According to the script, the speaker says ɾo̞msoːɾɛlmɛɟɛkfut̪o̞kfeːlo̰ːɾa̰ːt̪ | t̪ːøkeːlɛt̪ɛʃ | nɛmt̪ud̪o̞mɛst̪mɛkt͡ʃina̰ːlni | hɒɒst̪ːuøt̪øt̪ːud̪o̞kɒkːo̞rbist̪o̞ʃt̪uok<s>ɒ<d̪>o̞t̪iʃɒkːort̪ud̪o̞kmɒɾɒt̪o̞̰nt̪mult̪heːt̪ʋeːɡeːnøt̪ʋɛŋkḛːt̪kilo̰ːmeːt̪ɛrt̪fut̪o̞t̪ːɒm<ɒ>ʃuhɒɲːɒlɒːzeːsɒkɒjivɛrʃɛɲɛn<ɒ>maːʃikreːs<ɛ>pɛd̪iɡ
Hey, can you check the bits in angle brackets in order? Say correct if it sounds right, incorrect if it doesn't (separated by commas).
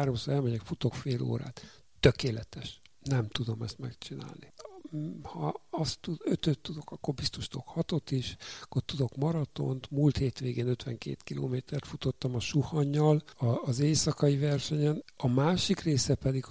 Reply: incorrect, incorrect, correct, correct, correct